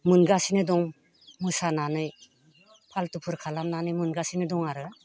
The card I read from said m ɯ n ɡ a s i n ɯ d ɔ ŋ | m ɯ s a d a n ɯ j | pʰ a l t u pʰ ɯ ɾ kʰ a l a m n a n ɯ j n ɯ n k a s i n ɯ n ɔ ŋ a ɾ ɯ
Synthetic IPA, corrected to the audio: m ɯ n ɡ a s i n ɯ d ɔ ŋ | m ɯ s a n a n ɯ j | pʰ a l t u pʰ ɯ ɾ kʰ a l a m n a n ɯ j m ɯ n ɡ a s i n ɯ d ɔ ŋ a ɾ ɯ